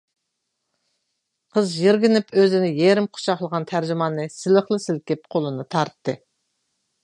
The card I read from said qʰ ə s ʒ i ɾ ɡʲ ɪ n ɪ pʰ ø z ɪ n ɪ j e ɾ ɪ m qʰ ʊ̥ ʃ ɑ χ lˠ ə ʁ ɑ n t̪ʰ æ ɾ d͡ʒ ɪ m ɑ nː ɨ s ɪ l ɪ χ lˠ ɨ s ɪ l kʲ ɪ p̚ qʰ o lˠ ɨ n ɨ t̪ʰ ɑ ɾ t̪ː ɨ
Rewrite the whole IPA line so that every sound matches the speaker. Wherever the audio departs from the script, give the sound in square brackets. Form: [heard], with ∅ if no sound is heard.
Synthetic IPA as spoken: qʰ ə [z] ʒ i ɾ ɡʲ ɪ n ɪ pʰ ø z ɪ n ɪ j e ɾ ɪ m qʰ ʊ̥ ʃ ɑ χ lˠ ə ʁ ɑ n t̪ʰ æ ɾ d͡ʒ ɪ m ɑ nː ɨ s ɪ l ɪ χ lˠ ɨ s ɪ l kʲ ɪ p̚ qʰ o lˠ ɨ n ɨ t̪ʰ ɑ ɾ t̪ː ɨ